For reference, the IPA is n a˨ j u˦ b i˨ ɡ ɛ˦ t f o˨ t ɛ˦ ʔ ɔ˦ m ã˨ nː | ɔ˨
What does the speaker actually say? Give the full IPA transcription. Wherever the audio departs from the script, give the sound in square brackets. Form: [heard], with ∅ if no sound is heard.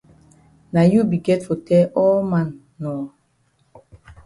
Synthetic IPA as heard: n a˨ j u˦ b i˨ ɡ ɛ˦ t f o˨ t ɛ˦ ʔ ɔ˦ m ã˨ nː | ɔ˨